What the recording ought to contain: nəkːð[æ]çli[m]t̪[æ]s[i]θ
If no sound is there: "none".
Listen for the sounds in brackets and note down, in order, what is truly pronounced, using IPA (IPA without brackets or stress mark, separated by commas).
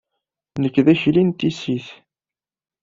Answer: æ, n, i, i